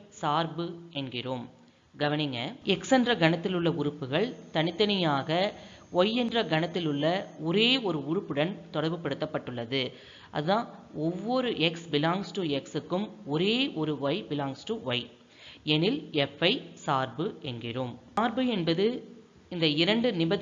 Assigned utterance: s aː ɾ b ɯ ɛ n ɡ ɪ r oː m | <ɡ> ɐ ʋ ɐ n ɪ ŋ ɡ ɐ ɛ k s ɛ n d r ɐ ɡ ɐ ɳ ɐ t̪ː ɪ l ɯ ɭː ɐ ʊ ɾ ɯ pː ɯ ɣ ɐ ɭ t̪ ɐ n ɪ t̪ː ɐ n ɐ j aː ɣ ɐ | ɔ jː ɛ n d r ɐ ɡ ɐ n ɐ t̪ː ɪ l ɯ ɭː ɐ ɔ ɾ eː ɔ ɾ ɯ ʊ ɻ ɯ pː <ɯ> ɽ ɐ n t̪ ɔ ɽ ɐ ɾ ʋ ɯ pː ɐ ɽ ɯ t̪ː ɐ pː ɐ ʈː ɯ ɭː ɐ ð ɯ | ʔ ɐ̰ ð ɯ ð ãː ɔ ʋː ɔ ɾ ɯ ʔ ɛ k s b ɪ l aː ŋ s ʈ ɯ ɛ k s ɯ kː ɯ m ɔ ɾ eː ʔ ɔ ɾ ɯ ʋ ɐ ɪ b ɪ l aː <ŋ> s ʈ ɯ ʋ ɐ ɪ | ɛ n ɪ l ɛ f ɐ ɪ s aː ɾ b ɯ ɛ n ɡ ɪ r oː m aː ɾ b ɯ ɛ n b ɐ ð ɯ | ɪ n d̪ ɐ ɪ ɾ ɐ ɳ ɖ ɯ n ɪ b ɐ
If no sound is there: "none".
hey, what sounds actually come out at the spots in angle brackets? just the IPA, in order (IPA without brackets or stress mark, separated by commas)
ɡ, ɯ, ŋ